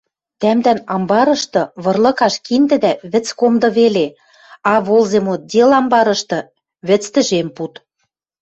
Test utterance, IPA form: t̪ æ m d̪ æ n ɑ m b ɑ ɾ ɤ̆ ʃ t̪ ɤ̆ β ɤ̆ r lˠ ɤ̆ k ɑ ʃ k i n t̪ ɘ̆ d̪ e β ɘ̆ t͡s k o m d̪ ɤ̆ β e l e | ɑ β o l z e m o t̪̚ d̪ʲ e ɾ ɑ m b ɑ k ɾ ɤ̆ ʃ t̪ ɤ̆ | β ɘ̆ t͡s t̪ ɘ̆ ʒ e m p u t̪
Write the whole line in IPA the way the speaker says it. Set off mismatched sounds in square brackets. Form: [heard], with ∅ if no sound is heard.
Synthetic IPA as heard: t̪ æ m d̪ æ n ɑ m b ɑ ɾ ɤ̆ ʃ t̪ ɤ̆ β ɤ̆ r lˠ ɤ̆ k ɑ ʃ k i n [d̪] ɘ̆ d̪ [æ] β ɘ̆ t͡s k o m d̪ ɤ̆ β e l e | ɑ β o l z e m o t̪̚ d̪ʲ e [l] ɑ m b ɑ [∅] ɾ ɤ̆ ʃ t̪ ɤ̆ | β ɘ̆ t͡s t̪ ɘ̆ ʒ e m p u t̪